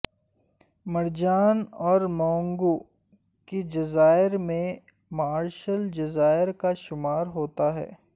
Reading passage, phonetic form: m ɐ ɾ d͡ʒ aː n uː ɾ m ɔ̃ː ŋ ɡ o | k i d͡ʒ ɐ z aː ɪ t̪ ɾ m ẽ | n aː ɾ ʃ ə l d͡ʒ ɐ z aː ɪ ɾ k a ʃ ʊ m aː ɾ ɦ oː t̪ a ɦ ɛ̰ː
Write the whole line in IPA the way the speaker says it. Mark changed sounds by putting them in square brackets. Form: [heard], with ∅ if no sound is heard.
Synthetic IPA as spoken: m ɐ ɾ d͡ʒ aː n [ɔː] ɾ m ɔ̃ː ŋ ɡ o | k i d͡ʒ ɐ z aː ɪ [∅] ɾ m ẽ | [m] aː ɾ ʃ ə l d͡ʒ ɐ z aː ɪ ɾ k a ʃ ʊ m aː ɾ ɦ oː t̪ a ɦ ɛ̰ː

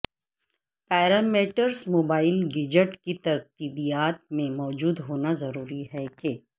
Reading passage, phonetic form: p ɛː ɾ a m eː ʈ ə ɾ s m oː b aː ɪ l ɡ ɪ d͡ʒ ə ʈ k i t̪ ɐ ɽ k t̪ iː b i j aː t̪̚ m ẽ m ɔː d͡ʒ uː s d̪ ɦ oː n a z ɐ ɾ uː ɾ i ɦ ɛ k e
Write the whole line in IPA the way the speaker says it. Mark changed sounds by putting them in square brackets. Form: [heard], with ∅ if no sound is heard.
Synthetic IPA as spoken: p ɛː ɾ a m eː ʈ ə ɾ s m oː b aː ɪ l ɡ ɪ d͡ʒ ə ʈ k i t̪ ɐ [ɾ] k t̪ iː b i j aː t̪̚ m ẽ m ɔː d͡ʒ uː [∅] d̪ ɦ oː n a z ɐ ɾ uː ɾ i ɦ ɛ k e

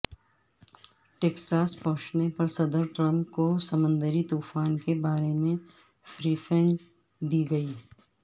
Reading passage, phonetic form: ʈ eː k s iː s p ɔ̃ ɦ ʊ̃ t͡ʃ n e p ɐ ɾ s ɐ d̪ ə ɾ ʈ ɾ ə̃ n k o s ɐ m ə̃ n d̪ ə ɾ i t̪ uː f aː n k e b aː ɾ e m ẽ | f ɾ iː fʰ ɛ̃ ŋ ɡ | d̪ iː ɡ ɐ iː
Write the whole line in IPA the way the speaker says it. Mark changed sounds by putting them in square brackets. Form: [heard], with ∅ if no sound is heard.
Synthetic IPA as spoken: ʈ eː k s [aː] s p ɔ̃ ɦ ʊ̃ t͡ʃ n e p ɐ ɾ s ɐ d̪ ə ɾ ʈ ɾ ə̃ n k o s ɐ m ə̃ n d̪ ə ɾ i t̪ uː f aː n k e b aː ɾ e m ẽ | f ɾ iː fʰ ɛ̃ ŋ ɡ | d̪ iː ɡ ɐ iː

